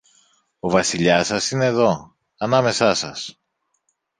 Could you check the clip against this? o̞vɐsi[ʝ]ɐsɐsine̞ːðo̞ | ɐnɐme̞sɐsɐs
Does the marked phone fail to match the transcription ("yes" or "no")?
yes